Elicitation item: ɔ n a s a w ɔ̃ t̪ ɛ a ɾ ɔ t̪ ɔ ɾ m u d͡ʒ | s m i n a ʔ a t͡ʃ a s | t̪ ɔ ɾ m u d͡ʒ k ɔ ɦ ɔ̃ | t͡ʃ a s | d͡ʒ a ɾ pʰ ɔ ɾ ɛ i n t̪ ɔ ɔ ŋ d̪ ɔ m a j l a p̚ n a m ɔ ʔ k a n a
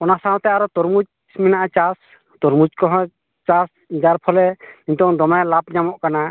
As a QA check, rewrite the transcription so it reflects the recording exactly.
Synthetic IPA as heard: ɔ n a s a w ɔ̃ t̪ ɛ a ɾ ɔ t̪ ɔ ɾ m u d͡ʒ | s m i n a ʔ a t͡ʃ a s | t̪ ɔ ɾ m u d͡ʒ k ɔ ɦ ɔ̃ | t͡ʃ a s | d͡ʒ a ɾ pʰ ɔ l ɛ i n t̪ ɔ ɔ ŋ d̪ ɔ m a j l a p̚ ɲ a m ɔ ʔ k a n a